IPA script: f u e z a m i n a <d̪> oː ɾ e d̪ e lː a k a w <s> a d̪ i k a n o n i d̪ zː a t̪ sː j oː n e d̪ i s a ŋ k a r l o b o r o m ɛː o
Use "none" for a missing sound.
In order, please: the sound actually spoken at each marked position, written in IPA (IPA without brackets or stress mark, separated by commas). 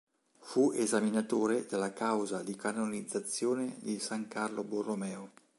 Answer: t̪, z